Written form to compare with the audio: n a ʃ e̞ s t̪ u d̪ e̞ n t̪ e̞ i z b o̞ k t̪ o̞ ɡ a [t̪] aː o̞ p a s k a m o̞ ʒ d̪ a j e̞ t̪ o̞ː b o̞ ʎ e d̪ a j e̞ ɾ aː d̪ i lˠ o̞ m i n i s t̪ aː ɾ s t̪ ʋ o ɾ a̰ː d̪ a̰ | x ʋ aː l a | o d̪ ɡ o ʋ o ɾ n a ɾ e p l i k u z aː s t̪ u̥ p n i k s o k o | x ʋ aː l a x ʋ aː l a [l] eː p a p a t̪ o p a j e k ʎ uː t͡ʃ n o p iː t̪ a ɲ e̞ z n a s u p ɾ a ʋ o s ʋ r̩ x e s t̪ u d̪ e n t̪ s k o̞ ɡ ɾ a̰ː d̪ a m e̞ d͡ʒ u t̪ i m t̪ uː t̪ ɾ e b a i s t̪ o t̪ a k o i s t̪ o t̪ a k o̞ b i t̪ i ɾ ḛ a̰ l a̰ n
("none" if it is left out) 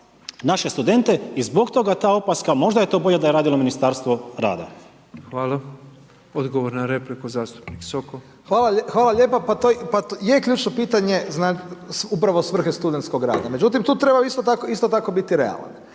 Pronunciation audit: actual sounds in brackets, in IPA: t̪, ʎ

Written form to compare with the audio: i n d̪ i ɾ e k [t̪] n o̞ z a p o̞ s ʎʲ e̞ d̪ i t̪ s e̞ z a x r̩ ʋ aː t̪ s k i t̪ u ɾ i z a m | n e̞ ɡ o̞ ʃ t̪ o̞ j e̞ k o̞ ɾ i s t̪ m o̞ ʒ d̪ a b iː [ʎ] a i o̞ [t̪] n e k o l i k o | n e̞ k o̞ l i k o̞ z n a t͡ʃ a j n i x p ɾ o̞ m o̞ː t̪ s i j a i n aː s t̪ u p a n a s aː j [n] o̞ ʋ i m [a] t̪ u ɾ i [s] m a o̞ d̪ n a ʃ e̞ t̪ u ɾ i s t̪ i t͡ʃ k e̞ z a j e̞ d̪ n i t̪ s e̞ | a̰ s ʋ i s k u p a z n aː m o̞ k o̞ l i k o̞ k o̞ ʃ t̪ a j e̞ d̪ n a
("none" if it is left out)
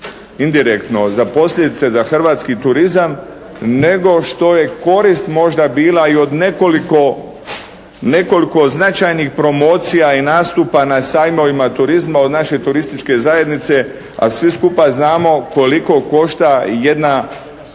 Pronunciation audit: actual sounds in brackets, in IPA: t̪, l, d̪, m, a, z

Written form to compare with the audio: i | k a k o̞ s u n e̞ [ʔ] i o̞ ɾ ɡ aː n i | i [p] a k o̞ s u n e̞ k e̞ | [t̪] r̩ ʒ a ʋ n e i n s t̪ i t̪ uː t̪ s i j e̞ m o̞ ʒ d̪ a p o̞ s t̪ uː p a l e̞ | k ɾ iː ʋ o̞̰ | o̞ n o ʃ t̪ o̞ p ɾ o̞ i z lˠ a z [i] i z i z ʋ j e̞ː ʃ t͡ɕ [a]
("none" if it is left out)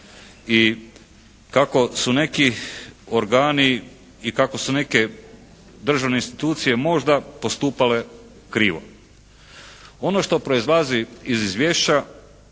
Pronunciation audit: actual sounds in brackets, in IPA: k, k, d̪, i, a

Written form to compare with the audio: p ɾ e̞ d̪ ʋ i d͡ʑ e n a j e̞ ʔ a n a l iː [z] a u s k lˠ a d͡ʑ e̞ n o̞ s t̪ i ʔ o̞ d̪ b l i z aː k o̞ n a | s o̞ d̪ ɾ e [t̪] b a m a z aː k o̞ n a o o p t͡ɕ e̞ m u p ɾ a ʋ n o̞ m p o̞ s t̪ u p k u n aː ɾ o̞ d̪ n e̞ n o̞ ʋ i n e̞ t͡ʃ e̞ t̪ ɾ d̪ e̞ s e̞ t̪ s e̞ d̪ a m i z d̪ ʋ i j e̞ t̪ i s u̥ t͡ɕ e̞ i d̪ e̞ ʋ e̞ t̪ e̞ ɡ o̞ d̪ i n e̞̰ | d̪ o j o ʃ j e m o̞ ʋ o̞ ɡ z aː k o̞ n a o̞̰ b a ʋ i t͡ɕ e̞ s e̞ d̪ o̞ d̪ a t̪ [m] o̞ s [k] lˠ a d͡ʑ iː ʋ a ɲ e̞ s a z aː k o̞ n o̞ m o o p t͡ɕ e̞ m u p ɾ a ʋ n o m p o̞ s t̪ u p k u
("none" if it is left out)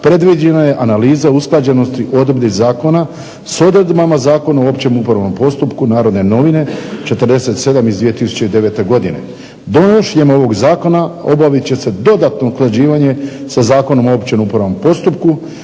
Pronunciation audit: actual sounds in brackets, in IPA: z, d̪, n, k

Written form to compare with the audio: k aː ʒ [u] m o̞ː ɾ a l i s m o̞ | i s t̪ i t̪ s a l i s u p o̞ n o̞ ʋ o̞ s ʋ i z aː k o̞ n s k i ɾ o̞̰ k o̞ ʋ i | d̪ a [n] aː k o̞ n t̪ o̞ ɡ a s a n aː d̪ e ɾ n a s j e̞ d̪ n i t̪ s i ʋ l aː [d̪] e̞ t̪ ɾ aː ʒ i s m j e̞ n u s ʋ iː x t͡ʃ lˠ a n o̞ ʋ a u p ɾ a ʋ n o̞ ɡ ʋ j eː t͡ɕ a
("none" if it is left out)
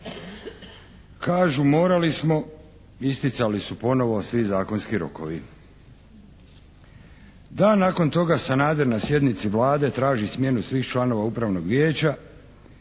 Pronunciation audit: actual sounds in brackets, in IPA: u, n, d̪

